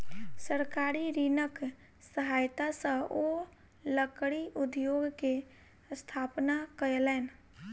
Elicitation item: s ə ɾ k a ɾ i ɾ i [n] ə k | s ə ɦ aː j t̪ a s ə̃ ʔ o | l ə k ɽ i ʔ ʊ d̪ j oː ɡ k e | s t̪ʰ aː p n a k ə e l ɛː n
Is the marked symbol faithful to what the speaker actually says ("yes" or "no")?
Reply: yes